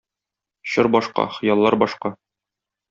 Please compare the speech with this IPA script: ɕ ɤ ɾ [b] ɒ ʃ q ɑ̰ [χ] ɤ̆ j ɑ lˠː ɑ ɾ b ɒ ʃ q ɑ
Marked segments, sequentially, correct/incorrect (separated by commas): correct, correct